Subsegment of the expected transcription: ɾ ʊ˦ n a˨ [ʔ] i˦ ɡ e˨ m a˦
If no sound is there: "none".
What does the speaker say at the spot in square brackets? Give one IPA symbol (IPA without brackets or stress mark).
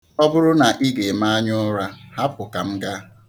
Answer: ʔ